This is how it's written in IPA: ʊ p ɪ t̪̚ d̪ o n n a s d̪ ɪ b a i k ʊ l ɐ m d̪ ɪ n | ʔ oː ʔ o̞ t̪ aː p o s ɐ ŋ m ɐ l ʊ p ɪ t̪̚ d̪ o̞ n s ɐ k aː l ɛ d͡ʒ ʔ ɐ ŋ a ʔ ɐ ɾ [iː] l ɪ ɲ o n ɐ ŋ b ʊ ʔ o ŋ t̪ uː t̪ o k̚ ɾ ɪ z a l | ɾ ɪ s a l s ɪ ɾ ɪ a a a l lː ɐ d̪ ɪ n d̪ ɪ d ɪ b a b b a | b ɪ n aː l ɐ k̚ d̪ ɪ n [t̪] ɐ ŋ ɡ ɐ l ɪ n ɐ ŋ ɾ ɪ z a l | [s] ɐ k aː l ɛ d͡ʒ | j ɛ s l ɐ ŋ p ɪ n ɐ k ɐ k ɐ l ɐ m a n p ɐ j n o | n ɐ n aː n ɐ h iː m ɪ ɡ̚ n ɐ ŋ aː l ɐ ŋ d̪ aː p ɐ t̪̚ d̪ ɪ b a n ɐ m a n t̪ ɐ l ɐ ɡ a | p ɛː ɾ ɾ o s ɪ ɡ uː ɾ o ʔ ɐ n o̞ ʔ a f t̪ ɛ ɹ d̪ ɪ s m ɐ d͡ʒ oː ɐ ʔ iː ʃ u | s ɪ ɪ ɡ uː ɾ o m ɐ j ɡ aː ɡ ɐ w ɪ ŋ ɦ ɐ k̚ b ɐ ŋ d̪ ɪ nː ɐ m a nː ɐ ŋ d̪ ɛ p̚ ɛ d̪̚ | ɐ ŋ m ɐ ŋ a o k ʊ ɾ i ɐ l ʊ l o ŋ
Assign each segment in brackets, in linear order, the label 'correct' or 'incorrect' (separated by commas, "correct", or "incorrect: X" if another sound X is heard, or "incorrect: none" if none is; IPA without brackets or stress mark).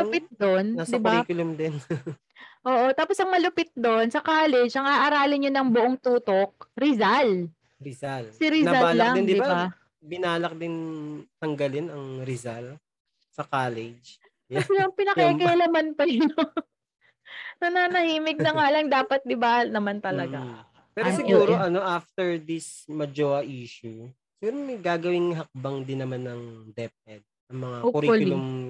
incorrect: aː, correct, correct